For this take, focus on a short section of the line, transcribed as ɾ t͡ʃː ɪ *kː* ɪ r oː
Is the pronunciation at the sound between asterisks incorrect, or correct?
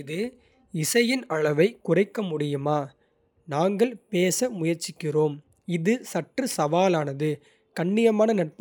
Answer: correct